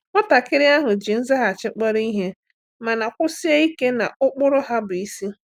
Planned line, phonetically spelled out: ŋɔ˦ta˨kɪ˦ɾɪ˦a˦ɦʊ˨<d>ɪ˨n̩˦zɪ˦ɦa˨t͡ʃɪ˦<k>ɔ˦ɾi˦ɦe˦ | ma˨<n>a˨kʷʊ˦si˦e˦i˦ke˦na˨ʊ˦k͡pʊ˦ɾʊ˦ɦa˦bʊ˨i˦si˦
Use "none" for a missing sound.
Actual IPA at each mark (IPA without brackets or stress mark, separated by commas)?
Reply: d͡ʒ, k͡p, n